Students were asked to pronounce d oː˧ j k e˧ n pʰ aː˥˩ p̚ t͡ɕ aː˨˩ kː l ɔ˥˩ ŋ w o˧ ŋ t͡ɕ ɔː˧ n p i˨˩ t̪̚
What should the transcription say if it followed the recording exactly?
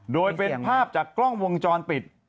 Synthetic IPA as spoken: d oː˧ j p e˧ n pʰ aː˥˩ p̚ t͡ɕ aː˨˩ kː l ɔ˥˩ ŋ w o˧ ŋ t͡ɕ ɔː˧ n p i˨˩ t̪̚